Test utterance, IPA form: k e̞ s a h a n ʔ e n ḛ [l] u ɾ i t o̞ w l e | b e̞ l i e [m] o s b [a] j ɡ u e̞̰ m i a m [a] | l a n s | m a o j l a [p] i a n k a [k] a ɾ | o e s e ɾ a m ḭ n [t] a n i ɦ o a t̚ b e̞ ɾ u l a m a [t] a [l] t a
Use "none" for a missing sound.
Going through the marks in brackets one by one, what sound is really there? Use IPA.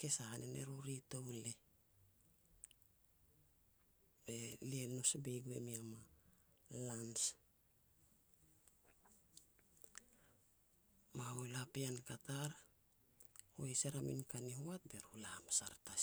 ɾ, n, e, a, p, t, k, s, ɾ

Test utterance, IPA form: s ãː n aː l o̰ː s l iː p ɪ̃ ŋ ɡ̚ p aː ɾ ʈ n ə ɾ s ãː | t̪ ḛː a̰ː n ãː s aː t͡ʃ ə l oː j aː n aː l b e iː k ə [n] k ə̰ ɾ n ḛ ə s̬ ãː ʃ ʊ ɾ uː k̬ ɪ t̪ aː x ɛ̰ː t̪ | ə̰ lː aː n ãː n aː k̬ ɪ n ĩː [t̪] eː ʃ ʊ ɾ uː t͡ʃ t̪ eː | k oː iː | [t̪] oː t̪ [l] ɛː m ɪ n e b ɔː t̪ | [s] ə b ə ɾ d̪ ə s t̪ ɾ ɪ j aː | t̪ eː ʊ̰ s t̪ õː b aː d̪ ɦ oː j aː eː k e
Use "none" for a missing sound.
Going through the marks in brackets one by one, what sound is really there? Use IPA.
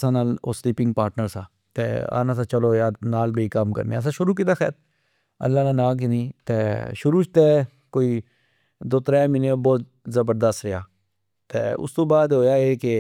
m, t̪, d̪, ɾ, z

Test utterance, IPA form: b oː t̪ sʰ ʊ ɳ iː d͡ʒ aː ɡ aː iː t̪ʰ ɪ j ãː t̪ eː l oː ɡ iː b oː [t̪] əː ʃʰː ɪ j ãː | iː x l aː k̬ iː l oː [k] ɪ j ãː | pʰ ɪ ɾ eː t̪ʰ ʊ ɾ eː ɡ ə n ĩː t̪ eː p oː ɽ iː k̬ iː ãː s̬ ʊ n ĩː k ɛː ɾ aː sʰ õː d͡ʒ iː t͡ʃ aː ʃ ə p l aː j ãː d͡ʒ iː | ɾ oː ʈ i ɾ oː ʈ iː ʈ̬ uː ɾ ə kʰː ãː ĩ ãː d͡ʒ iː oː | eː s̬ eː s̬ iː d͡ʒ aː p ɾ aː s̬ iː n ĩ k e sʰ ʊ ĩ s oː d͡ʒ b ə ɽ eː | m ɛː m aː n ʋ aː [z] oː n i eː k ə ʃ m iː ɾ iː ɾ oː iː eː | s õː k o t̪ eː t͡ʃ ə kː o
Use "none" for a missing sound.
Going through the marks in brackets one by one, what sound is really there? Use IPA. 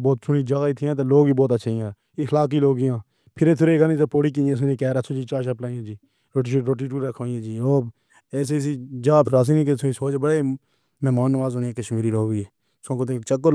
t̪, ɡ, z

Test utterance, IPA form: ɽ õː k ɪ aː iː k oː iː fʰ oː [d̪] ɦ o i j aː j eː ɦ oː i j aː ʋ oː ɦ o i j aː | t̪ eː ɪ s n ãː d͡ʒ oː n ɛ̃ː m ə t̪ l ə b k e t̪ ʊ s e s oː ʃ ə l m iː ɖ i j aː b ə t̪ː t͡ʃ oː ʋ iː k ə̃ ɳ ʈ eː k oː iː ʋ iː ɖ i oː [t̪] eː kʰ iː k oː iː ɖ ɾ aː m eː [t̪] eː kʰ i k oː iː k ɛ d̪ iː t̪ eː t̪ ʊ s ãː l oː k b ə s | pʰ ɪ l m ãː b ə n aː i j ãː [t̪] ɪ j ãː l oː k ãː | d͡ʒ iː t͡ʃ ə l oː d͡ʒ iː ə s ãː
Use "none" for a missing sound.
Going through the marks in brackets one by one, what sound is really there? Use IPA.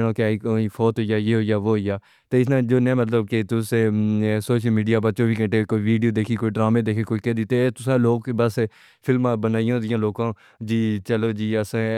t̪, d̪, d̪, d̪

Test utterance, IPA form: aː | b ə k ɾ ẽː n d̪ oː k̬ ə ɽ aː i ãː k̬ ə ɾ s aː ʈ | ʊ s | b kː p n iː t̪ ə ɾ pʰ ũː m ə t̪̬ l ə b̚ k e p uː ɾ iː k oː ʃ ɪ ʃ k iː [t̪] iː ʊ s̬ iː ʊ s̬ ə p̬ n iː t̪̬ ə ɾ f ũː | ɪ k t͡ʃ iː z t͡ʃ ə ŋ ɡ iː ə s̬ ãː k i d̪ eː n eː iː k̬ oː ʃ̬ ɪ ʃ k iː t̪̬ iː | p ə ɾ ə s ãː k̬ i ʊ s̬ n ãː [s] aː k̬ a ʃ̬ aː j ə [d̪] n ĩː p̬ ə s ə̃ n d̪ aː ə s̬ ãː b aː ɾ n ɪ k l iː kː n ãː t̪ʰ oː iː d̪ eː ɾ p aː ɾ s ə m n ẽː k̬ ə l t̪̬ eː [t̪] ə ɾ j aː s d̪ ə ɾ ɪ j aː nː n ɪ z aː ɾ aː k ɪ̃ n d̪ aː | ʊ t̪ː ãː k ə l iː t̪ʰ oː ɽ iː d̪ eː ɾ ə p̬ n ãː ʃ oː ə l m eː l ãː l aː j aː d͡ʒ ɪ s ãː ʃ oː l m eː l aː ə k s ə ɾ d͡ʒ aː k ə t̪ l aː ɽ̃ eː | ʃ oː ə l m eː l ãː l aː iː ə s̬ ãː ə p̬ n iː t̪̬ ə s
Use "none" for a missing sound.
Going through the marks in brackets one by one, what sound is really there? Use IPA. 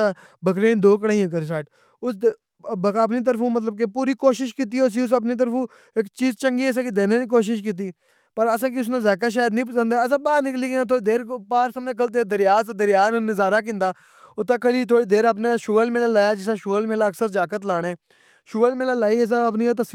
t̪, z, d̪, d̪

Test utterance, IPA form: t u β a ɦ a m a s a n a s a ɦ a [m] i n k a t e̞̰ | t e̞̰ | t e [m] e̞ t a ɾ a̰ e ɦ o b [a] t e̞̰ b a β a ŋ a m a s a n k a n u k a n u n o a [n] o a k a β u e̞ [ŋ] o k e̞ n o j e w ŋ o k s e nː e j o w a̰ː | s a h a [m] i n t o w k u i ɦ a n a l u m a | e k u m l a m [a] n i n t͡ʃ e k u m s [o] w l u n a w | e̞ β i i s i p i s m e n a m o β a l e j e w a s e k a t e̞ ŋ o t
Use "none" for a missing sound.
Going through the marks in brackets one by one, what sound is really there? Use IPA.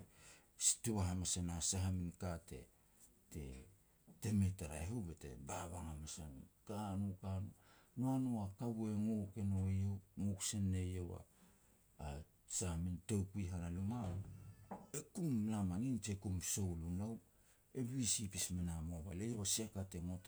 m, m, e, n, ŋ, m, a, o

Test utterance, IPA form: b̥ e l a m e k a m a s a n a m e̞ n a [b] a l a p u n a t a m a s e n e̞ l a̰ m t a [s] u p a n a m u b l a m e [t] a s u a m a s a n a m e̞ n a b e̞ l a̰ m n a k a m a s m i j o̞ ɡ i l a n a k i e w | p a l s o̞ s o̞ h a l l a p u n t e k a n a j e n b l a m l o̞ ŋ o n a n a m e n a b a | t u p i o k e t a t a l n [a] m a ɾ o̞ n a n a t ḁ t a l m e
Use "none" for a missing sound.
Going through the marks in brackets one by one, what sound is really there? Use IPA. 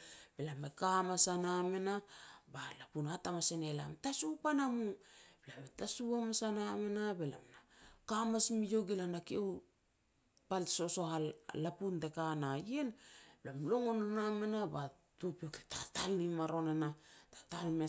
b, s, t, i

